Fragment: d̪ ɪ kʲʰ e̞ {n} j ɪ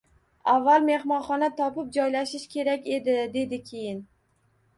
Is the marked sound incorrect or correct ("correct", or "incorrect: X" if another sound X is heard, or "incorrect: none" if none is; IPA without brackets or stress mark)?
incorrect: none